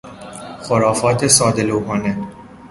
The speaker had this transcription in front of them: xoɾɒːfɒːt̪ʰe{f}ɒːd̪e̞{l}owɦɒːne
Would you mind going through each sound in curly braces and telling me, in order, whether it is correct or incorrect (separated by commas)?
incorrect, correct